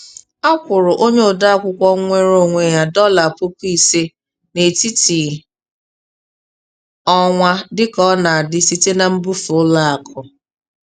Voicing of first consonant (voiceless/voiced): voiceless